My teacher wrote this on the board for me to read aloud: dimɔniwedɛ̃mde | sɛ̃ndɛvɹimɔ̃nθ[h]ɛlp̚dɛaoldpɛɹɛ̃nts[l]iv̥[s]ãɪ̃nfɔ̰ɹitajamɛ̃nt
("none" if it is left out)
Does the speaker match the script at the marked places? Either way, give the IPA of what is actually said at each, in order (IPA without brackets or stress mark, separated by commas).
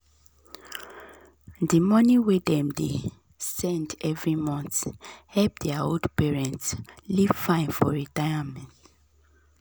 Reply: h, l, f